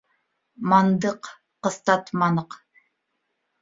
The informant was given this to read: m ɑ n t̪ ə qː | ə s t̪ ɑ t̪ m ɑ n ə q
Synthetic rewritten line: m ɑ n d̪ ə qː | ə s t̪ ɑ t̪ m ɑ n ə q